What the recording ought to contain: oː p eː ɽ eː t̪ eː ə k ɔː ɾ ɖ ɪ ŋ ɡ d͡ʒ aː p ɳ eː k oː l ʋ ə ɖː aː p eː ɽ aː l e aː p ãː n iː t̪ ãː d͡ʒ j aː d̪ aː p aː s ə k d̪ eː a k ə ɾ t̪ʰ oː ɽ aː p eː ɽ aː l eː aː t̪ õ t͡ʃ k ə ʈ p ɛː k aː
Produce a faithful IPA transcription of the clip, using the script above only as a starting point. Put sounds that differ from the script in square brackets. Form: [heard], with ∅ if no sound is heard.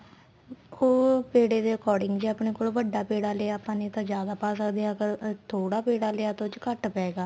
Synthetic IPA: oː p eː ɽ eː [d̪] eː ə k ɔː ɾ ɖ ɪ ŋ ɡ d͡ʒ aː p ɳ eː k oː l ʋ ə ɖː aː p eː ɽ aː l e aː p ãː n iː t̪ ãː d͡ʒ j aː d̪ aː p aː s ə k d̪ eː a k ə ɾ t̪ʰ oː ɽ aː p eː ɽ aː l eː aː t̪ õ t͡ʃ k ə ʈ p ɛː [ɡ] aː